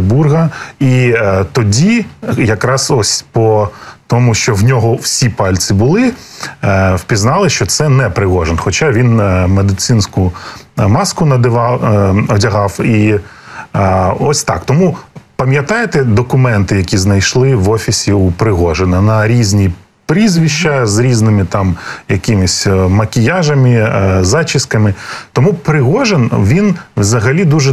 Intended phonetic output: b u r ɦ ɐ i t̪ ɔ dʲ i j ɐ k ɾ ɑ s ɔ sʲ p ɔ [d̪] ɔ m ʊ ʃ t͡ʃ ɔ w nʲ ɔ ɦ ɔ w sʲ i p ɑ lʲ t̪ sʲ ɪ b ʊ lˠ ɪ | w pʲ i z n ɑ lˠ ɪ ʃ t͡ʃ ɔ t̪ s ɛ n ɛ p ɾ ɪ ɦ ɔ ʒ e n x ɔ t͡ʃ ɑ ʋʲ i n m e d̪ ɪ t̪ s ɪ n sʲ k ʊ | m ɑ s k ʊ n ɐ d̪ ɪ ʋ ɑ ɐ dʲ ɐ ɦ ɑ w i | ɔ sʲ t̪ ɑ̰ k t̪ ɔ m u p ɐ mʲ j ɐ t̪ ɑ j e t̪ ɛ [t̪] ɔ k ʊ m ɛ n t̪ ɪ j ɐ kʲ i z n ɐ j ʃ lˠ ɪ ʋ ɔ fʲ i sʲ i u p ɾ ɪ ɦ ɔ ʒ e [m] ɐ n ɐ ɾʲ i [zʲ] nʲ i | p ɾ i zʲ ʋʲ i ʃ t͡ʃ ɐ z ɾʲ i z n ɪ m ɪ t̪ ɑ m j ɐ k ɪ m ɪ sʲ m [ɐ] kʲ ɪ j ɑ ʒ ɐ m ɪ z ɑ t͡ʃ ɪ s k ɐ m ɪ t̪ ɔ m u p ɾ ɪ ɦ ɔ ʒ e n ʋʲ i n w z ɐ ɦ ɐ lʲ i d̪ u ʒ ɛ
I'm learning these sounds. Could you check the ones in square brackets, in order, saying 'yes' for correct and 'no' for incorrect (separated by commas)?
no, no, no, yes, yes